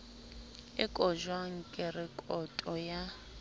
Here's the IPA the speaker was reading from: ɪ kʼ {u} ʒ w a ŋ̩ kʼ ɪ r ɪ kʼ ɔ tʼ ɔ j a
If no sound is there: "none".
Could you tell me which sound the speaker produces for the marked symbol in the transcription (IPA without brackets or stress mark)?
ɔ